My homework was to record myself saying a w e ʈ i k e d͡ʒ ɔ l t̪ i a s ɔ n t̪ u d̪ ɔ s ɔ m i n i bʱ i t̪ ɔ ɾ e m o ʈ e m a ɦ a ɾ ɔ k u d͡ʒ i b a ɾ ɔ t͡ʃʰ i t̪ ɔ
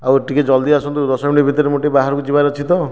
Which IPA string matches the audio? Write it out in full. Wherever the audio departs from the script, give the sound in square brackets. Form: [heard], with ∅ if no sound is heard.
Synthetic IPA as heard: a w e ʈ i k e d͡ʒ ɔ l [d̪] i a s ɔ n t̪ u d̪ ɔ s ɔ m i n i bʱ i t̪ ɔ ɾ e m o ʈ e [b] a ɦ a ɾ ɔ k u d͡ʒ i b a ɾ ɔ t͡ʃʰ i t̪ ɔ